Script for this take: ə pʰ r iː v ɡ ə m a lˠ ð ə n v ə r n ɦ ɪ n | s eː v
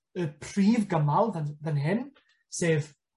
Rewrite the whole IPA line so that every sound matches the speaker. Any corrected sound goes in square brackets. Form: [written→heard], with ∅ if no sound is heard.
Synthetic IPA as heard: ə pʰ r iː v ɡ ə m a lˠ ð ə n [v→ð] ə [r→∅] n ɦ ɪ n | s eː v